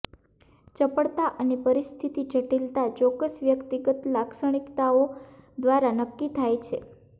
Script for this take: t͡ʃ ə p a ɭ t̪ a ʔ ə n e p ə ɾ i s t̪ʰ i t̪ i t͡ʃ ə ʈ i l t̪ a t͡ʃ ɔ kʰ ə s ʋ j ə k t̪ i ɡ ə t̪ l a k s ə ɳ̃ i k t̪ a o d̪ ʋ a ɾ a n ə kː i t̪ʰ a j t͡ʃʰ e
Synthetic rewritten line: t͡ʃ ə p ə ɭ t̪ a ʔ ə n e p ə ɾ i s t̪ʰ i t̪ i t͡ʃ ə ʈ i l t̪ a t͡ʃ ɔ k ə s ʋ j ə k t̪ i ɡ ə t̪ l a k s ə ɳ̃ i k t̪ a o d̪ ʋ a ɾ a n ə kː i t̪ʰ a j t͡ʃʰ e